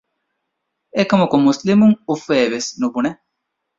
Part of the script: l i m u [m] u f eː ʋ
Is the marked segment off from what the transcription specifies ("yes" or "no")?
yes